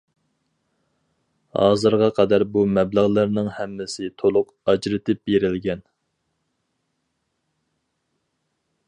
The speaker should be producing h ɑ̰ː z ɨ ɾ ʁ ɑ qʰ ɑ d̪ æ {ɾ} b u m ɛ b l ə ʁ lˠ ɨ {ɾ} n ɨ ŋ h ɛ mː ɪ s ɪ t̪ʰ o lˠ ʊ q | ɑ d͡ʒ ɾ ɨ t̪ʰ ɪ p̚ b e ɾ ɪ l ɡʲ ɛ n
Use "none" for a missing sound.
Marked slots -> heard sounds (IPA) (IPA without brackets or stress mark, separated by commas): ɾ, ɾ